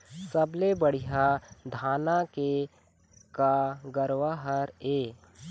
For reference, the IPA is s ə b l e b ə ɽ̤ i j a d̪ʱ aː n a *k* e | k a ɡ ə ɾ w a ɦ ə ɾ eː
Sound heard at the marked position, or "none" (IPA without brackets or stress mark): k